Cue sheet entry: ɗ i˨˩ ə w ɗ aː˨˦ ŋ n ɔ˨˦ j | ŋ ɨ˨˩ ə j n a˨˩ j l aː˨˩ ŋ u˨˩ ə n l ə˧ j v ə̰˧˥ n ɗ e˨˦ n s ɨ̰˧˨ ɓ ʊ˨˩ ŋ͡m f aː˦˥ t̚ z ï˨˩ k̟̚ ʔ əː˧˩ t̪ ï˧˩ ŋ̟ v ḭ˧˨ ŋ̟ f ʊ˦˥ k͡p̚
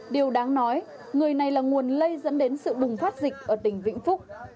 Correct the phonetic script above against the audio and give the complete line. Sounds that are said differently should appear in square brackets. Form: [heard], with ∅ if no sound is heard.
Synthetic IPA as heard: ɗ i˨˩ ə w ɗ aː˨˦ ŋ n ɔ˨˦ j | ŋ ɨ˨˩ ə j n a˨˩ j l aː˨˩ ŋ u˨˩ ə n l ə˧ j [z] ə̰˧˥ n ɗ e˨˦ n s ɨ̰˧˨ ɓ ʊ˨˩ ŋ͡m f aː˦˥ t̚ z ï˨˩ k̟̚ ʔ əː˧˩ t̪ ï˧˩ ŋ̟ v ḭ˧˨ ŋ̟ f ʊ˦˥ k͡p̚